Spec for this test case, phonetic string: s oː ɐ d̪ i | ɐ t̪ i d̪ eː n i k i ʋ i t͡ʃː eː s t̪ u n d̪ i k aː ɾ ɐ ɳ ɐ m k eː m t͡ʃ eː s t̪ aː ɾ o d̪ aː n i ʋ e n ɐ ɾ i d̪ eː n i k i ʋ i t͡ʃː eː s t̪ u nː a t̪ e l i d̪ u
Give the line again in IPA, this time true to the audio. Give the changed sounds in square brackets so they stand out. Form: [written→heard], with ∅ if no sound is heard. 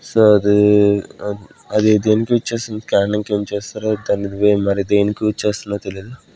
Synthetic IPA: s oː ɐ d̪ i | ɐ [t̪→d̪] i d̪ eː n i k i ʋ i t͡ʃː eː s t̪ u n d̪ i k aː ɾ ɐ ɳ ɐ [m→ŋ] k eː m t͡ʃ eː s t̪ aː ɾ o d̪ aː n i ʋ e [n→m] ɐ ɾ i d̪ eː n i k i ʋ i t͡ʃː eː s t̪ u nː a t̪ e l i d̪ u